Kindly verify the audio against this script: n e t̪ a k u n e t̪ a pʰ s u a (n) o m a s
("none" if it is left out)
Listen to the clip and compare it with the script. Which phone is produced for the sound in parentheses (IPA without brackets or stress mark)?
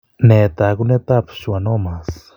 n